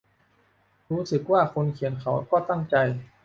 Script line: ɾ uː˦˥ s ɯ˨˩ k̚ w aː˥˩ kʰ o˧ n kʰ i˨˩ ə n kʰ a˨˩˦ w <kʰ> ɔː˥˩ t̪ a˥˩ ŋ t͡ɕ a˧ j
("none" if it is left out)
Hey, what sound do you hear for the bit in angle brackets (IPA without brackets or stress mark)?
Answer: k